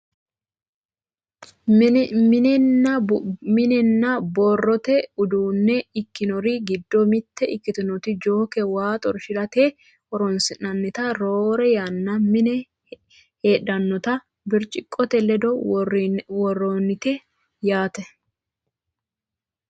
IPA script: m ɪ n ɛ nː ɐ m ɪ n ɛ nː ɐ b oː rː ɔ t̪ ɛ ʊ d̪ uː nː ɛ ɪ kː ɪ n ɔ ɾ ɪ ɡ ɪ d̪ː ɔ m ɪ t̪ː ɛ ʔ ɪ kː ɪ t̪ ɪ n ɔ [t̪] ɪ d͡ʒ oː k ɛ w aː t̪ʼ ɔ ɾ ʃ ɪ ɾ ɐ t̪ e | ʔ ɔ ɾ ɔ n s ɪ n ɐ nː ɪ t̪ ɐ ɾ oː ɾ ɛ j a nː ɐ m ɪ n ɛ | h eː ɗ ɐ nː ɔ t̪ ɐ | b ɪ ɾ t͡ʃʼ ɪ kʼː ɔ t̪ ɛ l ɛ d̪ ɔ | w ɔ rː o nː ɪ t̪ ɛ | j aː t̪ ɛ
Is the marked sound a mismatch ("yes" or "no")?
no